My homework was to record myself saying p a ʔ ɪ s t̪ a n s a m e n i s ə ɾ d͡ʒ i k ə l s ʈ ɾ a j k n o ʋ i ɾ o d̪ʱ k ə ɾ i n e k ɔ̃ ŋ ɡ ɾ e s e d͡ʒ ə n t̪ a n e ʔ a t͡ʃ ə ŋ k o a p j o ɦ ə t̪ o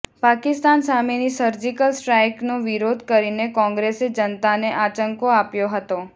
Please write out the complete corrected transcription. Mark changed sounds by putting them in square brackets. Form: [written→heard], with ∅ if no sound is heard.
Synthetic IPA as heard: p a [ʔ→k] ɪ s t̪ a n s a m e n i s ə ɾ d͡ʒ i k ə l s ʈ ɾ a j k n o ʋ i ɾ o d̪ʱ k ə ɾ i n e k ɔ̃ ŋ ɡ ɾ e s e d͡ʒ ə n t̪ a n e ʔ a t͡ʃ ə ŋ k o a p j o ɦ ə t̪ o